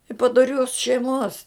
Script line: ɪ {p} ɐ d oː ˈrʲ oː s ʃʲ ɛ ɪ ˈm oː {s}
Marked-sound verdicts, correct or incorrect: correct, correct

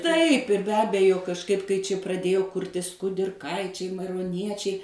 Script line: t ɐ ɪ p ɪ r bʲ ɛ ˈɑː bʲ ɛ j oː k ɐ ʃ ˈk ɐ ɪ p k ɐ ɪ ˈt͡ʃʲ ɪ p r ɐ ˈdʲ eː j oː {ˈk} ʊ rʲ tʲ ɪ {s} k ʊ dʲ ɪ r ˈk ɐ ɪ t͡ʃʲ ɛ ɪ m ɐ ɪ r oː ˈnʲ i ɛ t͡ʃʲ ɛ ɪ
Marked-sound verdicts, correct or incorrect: correct, correct

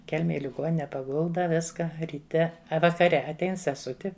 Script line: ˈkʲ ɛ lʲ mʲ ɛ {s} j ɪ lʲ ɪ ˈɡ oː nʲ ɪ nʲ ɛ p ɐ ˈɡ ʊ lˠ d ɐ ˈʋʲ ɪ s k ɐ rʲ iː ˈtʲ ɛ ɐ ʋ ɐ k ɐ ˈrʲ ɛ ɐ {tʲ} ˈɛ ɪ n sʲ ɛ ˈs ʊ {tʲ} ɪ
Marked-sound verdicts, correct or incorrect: incorrect, correct, correct

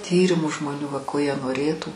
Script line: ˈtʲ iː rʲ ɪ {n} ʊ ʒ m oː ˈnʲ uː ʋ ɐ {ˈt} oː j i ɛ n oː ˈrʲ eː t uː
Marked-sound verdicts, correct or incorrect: incorrect, incorrect

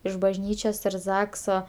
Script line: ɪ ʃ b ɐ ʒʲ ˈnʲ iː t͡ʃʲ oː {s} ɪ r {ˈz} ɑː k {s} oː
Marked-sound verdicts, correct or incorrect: correct, correct, correct

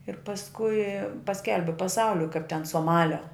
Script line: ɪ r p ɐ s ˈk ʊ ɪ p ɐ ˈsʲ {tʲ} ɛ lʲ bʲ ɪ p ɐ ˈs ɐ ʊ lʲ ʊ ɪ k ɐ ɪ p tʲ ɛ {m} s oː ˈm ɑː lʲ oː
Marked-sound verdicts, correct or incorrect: incorrect, incorrect

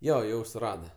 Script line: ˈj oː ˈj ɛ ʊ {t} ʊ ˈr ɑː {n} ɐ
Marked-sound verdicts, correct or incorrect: incorrect, incorrect

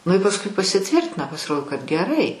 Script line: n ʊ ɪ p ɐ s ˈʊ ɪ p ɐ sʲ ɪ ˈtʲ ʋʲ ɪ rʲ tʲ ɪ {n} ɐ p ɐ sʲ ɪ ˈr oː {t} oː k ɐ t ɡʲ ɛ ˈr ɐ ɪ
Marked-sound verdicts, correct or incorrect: correct, incorrect

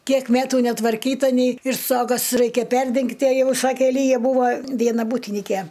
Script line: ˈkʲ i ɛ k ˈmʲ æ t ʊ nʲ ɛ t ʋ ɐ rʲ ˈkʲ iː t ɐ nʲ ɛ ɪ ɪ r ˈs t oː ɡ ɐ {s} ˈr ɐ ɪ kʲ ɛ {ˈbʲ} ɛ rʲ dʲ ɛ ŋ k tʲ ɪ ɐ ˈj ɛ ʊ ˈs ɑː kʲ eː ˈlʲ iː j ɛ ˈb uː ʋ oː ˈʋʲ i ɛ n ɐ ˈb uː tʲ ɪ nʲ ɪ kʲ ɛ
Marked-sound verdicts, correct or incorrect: correct, incorrect

